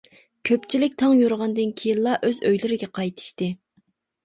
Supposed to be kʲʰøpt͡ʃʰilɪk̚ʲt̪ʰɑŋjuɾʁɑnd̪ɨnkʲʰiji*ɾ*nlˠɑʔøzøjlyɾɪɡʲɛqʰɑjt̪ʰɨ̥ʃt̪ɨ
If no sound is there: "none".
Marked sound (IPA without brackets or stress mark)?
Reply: none